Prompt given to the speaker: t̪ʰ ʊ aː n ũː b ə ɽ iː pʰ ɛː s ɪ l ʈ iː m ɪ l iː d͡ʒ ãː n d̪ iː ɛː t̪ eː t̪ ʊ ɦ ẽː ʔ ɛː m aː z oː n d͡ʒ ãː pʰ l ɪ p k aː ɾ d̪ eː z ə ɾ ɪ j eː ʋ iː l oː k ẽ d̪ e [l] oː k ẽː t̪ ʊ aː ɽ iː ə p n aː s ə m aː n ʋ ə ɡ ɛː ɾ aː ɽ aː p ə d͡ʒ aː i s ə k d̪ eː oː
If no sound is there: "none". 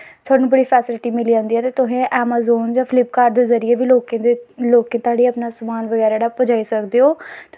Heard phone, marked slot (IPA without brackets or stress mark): l